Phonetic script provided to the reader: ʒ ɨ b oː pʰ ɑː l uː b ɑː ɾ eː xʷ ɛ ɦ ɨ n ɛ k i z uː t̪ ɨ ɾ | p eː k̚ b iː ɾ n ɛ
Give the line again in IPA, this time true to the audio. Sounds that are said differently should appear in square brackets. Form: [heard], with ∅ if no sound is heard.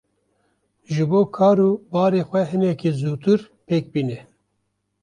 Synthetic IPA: ʒ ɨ b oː [kʰ] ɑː [ɾ] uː b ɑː ɾ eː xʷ ɛ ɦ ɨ n ɛ k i z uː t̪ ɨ ɾ | p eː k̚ b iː [∅] n ɛ